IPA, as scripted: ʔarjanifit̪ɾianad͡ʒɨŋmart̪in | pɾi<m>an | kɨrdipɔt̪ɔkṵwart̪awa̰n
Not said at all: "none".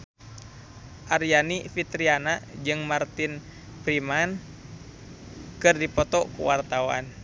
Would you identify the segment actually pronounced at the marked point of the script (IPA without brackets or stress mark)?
m